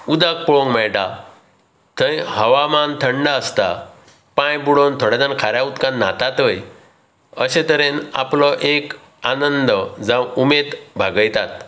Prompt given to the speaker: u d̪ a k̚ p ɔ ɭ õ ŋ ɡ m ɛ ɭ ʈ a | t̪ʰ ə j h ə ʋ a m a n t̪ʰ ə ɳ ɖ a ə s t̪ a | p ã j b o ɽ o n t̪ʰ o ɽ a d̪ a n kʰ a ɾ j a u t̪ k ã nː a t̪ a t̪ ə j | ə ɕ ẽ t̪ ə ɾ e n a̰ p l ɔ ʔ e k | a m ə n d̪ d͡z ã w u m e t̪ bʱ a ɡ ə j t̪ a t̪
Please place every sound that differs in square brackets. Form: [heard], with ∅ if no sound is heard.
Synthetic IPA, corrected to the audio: u d̪ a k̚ p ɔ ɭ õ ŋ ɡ m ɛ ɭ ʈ a | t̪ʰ ə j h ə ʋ a m a n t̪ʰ ə ɳ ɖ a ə s t̪ a | p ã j b [u] ɽ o n t̪ʰ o ɽ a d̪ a n kʰ a ɾ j a u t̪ k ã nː a t̪ a t̪ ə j | ə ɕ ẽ t̪ ə ɾ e n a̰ p l ɔ ʔ e k | a [n] ə n d̪ d͡z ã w u m e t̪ bʱ a ɡ ə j t̪ a t̪